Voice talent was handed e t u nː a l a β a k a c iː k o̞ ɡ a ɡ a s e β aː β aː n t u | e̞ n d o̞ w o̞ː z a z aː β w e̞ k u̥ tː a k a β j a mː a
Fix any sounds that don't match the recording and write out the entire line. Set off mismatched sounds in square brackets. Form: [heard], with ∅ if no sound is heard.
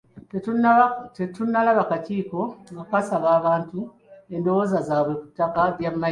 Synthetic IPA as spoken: e t u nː a l a β a k a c iː k o̞ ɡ a [k] a s [a] β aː β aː n t u | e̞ n d o̞ w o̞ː z a z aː β w e̞ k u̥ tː a k a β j a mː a